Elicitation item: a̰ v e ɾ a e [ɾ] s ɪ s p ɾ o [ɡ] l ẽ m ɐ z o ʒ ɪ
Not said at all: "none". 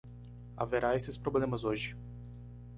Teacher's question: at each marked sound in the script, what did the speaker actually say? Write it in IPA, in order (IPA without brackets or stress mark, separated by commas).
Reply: none, b